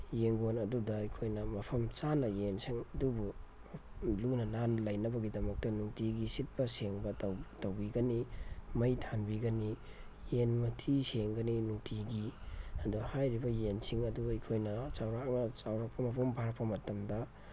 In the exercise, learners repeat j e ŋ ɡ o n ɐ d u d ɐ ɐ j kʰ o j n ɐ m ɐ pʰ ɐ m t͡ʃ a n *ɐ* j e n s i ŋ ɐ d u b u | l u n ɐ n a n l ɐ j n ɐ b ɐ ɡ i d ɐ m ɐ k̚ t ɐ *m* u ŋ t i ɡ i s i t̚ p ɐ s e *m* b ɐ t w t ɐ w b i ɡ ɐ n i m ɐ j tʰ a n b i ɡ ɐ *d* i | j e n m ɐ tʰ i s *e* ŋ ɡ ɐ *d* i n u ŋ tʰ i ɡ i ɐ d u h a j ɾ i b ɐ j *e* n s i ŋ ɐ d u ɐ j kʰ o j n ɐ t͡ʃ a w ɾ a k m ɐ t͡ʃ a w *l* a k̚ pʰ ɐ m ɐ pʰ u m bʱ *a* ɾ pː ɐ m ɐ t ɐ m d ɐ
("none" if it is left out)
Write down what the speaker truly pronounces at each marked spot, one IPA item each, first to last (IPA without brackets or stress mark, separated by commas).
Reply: ɐ, n, ŋ, n, e, n, e, ɾ, a